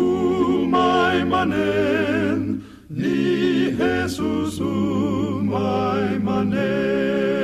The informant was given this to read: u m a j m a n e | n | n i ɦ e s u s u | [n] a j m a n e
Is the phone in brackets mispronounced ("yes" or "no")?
yes